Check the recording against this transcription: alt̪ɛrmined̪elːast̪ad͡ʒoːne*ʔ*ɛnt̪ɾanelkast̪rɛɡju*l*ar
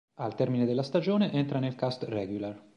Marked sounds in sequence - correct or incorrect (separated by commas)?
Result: correct, correct